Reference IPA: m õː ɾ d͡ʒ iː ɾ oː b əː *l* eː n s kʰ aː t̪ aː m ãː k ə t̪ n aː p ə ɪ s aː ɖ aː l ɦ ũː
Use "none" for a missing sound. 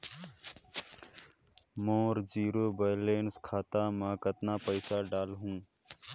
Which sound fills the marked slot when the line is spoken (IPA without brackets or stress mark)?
l